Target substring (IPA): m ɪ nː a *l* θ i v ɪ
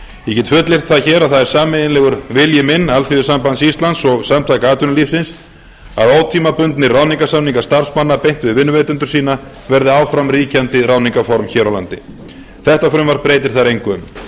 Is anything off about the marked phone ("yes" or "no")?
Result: no